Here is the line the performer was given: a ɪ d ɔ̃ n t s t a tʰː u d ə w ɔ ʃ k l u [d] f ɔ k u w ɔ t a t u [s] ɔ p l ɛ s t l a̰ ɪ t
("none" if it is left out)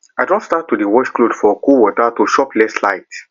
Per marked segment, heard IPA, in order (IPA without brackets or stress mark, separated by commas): d, ʃ